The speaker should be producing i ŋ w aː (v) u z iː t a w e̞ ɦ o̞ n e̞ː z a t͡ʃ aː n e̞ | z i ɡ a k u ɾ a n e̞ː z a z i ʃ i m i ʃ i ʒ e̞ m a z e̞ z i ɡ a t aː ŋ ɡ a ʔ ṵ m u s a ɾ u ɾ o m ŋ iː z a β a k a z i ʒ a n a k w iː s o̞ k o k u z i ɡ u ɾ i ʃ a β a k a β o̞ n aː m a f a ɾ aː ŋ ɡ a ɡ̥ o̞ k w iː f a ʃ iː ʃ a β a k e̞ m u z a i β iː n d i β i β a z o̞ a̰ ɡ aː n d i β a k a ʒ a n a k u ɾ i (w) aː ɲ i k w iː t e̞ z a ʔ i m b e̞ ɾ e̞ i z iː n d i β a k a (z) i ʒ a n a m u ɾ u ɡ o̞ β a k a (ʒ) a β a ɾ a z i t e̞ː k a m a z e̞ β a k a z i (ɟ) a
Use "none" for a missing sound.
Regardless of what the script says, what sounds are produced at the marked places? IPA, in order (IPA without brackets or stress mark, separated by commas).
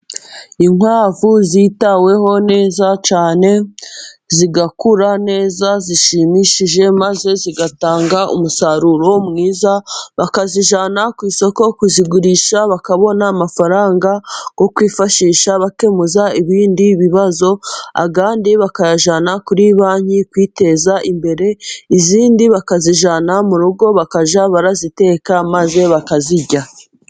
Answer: v, β, z, ʒ, ɟ